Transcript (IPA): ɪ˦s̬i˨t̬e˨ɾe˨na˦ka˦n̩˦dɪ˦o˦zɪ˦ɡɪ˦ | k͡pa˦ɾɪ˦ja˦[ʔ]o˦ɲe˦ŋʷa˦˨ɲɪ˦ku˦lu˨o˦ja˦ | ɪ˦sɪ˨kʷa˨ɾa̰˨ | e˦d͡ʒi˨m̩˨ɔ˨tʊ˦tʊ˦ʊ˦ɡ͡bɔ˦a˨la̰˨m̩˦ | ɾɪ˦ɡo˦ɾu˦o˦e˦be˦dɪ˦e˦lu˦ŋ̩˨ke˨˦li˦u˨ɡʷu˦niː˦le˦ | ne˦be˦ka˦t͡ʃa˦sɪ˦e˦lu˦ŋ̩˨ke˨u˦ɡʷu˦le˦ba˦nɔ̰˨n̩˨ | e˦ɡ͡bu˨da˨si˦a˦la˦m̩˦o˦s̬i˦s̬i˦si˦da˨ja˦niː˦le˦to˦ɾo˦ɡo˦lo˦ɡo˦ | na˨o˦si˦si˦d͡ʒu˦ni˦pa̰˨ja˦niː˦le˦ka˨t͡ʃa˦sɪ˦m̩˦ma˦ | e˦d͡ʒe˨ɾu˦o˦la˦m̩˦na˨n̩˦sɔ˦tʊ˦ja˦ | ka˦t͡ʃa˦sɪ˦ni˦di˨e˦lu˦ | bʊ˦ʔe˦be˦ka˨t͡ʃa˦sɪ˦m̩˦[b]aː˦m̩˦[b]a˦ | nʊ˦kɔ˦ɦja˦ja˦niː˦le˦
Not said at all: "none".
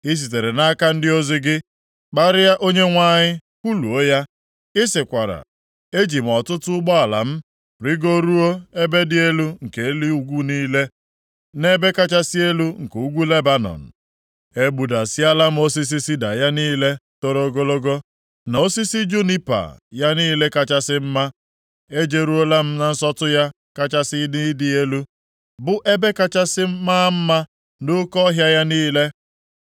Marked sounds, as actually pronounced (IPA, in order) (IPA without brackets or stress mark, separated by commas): ʔ, m, m